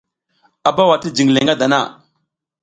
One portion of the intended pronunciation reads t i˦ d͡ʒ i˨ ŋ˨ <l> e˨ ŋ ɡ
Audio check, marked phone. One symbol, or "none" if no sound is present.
l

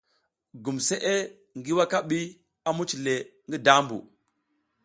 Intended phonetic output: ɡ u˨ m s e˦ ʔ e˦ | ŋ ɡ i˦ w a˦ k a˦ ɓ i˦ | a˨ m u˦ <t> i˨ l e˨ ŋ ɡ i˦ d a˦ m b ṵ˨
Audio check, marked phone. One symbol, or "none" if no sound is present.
t͡ʃ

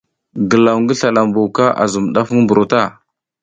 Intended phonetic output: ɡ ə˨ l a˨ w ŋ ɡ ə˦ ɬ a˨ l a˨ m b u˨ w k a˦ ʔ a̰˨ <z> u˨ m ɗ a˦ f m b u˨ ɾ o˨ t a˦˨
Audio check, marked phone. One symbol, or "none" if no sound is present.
z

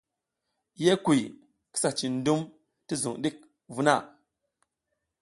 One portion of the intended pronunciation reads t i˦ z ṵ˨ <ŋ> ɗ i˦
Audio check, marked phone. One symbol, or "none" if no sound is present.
ŋ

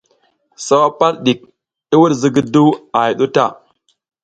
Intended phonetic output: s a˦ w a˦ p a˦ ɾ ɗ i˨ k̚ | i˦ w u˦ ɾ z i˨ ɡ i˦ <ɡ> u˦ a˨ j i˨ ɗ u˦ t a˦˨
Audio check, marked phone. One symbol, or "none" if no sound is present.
d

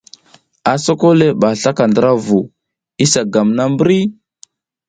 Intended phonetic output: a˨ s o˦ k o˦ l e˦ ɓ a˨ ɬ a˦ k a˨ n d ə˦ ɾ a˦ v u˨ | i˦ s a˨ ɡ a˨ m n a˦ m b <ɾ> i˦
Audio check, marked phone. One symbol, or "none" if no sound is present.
ɾ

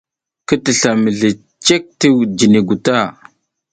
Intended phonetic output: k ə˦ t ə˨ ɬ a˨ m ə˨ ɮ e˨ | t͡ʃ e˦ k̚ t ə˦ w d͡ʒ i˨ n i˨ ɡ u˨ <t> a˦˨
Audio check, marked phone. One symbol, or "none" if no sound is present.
t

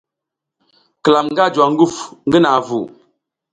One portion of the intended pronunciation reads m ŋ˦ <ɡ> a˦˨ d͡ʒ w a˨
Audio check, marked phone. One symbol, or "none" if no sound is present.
ɡ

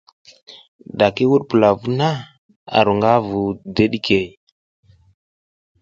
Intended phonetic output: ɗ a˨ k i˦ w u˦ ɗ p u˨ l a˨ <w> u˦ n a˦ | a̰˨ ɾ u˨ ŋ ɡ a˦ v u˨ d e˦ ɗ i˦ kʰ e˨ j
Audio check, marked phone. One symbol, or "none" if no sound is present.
v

